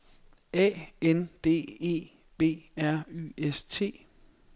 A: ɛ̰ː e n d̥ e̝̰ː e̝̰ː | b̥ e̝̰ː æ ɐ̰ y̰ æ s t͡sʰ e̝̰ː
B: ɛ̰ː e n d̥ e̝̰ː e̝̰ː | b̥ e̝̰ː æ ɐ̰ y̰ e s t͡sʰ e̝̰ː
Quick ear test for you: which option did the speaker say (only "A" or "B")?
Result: B